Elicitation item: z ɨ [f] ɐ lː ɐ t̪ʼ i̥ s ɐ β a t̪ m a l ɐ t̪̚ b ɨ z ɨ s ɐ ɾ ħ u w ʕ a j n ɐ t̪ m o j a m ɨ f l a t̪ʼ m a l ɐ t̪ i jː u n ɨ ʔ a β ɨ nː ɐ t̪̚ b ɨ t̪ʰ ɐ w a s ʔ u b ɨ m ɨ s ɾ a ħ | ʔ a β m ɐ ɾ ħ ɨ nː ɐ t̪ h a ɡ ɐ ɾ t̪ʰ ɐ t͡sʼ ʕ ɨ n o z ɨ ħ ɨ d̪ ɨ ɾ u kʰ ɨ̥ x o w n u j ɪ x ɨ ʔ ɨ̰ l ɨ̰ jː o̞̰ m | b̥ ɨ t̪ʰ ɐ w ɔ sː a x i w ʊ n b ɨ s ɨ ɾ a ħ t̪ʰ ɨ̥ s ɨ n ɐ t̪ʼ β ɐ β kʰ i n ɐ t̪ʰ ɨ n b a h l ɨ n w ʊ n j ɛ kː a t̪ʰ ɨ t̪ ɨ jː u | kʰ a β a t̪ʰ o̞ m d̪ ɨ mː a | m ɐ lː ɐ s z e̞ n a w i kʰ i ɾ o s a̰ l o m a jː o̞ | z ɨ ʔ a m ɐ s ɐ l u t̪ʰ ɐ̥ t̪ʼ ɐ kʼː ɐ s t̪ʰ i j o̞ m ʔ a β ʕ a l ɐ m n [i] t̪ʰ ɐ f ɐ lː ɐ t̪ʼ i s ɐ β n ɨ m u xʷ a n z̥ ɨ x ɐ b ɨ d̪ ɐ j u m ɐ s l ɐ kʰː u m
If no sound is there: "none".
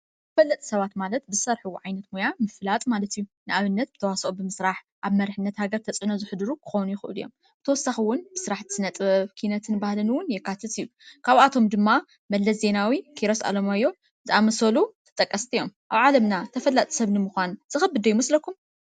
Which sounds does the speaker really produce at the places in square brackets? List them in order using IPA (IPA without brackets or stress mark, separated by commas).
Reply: f, a